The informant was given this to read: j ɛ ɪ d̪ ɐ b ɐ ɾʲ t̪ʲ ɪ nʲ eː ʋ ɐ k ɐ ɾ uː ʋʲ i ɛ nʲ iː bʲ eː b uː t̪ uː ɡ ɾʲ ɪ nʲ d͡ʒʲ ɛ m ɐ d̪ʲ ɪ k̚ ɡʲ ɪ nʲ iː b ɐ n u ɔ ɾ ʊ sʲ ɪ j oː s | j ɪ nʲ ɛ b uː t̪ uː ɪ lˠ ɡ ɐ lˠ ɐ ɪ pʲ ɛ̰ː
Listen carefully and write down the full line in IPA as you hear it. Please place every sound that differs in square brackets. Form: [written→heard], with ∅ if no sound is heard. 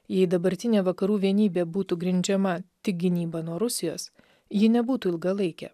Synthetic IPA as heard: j ɛ ɪ d̪ ɐ b ɐ ɾʲ t̪ʲ ɪ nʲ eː ʋ ɐ k ɐ ɾ uː ʋʲ i ɛ nʲ iː bʲ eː b uː t̪ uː ɡ ɾʲ ɪ nʲ d͡ʒʲ ɛ m ɐ [d̪ʲ→t̪ʲ] ɪ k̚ ɡʲ ɪ nʲ iː b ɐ n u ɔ ɾ ʊ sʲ ɪ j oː s | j ɪ nʲ ɛ b uː t̪ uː ɪ lˠ ɡ ɐ lˠ ɐ ɪ [pʲ→kʲ] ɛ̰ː

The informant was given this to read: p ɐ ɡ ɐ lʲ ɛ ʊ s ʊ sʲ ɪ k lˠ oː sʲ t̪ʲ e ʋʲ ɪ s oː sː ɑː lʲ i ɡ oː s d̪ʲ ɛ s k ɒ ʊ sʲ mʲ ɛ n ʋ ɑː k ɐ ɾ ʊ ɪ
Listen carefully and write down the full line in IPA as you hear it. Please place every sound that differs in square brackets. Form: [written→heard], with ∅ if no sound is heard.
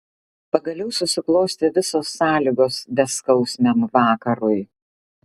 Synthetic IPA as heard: p ɐ ɡ ɐ lʲ ɛ ʊ s ʊ sʲ ɪ k lˠ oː sʲ t̪ʲ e ʋʲ ɪ s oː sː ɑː lʲ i ɡ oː s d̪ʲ ɛ s k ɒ ʊ sʲ mʲ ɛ [n→m] ʋ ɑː k ɐ ɾ ʊ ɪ

